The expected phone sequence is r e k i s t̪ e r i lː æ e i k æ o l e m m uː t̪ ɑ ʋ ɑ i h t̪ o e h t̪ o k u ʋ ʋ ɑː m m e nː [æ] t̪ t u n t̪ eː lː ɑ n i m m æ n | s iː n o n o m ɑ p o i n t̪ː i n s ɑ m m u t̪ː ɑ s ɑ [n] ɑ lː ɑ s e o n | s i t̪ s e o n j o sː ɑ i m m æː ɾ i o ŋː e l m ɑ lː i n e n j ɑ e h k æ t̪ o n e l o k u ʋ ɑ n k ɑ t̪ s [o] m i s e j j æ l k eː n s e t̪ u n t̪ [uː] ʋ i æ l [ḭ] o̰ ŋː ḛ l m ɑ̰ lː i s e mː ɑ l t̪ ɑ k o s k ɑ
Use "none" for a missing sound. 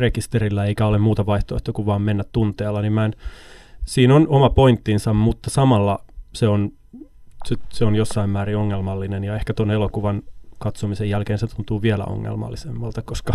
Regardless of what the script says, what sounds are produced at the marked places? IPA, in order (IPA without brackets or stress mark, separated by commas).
æ, m, o, uː, æ̰